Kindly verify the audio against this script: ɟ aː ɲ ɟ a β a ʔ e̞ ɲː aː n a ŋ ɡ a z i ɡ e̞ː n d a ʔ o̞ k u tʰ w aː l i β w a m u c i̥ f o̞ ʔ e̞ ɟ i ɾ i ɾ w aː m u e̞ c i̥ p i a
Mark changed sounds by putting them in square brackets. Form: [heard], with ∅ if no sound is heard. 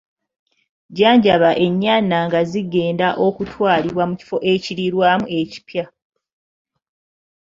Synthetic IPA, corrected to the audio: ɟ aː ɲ ɟ a β a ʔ e̞ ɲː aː n a ŋ ɡ a z i ɡ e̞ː n d a ʔ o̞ k u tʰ w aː l i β w a m u c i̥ f o̞ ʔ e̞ [c] i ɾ i ɾ w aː m u e̞ c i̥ p [j] a

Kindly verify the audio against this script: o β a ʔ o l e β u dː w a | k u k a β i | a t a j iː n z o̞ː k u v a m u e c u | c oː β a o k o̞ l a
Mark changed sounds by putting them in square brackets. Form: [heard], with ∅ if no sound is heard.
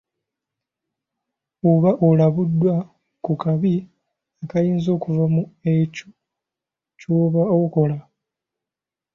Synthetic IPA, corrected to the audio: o β a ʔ o l [a] β u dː w a | k u k a β i | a [k] a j iː n z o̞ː k u v a m u e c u | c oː β a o k o̞ l a

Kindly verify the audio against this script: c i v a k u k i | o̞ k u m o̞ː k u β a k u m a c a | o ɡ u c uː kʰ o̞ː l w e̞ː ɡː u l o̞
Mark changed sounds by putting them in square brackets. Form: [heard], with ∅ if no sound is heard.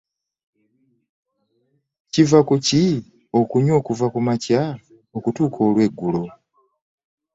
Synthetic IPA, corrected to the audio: c i v a k u [c] i | o̞ k u [ɲ] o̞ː k u [v] a k u m a c a | o [k] u [t] uː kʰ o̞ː l w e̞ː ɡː u l o̞

